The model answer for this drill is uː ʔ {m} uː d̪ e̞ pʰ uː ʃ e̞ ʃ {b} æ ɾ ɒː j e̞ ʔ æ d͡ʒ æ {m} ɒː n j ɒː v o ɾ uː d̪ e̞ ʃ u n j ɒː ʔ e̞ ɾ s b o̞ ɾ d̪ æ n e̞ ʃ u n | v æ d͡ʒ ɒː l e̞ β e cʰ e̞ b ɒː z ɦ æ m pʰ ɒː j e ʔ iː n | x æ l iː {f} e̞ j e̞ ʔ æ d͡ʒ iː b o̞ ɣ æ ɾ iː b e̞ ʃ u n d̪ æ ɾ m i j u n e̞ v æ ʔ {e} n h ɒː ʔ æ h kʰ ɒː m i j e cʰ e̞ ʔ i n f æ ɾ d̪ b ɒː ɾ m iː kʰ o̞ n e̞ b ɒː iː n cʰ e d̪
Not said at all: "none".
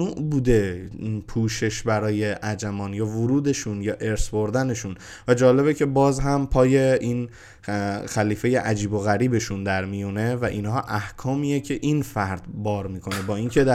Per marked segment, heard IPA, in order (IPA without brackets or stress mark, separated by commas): b, b, m, f, i